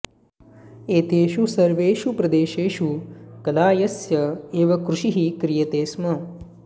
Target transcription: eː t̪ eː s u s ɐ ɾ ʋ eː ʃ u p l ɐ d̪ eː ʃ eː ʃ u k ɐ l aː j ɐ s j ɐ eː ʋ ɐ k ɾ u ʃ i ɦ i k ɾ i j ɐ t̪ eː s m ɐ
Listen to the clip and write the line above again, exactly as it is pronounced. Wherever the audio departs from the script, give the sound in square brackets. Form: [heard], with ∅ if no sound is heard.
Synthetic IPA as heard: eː t̪ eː [ʃ] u s ɐ ɾ ʋ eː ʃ u p [ɾ] ɐ d̪ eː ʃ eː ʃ u k ɐ l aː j ɐ s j ɐ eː ʋ ɐ k ɾ u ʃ i ɦ i k ɾ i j ɐ t̪ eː s m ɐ